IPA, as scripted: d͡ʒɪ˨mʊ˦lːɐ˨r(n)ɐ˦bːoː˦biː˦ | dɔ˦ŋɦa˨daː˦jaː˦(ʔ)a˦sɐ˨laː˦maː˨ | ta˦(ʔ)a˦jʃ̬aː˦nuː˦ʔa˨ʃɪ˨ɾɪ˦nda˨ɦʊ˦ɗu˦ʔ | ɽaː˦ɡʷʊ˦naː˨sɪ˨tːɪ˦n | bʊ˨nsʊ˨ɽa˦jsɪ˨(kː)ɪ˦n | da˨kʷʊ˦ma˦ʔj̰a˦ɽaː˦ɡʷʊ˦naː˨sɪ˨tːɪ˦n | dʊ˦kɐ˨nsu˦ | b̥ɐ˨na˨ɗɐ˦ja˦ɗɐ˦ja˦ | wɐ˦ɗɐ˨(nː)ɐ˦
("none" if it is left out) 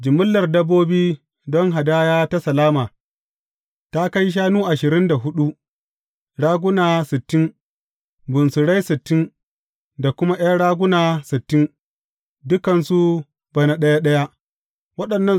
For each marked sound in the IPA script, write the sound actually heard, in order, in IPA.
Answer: d, t, k, tː, nː

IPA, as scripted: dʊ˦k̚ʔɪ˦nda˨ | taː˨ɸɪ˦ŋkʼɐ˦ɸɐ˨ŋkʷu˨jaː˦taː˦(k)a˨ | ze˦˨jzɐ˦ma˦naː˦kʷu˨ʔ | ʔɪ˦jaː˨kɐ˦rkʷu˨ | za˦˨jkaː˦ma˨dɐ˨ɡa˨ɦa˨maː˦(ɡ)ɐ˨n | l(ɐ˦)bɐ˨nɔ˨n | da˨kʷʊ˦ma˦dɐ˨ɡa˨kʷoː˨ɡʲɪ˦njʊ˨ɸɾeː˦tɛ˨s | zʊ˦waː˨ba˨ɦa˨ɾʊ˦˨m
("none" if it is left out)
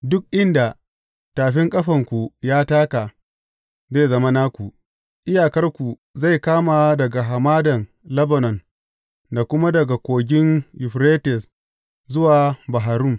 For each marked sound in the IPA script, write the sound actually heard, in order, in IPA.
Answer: k, d, ɐ˦

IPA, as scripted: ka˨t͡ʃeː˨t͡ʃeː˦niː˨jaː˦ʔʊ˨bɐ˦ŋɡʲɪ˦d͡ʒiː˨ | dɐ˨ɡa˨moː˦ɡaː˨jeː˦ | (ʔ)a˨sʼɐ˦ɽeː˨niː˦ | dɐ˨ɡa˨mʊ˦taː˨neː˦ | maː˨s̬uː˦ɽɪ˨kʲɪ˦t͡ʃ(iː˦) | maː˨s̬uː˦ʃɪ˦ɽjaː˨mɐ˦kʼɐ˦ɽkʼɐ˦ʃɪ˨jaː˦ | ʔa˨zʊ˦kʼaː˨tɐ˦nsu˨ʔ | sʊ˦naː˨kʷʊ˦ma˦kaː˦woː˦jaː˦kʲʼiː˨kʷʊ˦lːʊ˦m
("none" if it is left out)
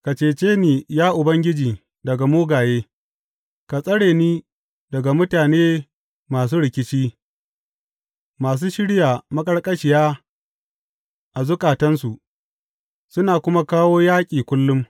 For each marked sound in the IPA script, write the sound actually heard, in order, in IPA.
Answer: k, iː˦

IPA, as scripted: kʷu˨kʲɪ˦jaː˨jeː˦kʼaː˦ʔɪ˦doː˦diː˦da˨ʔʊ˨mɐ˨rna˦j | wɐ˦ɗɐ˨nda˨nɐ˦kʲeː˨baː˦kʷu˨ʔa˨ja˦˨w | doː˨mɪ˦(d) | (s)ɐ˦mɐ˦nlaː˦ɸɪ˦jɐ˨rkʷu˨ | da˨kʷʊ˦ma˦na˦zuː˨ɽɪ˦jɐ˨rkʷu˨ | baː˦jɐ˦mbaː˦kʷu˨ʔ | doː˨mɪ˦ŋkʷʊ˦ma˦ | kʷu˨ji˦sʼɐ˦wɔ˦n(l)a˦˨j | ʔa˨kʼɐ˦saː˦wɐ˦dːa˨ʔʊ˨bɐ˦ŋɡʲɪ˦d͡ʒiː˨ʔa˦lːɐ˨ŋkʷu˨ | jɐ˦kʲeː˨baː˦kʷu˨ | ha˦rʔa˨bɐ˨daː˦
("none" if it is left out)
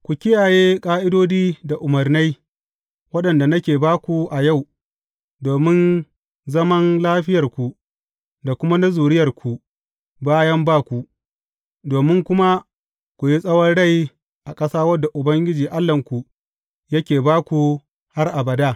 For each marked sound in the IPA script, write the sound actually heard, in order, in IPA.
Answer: n, z, ɽ

